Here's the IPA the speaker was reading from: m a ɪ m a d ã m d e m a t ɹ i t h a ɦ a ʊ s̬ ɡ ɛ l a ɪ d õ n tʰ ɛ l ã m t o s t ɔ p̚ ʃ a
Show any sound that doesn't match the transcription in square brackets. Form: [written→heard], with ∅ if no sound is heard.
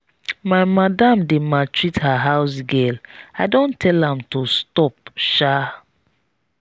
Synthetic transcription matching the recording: m a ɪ m a d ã m d e m a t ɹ i t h a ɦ a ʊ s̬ ɡ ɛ l a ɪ d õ n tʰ ɛ l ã m t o s t ɔ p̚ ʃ a